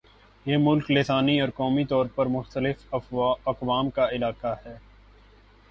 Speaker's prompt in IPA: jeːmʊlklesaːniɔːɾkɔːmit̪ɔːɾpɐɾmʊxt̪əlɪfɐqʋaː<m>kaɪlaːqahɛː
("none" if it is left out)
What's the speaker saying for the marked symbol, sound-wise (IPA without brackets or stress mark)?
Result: m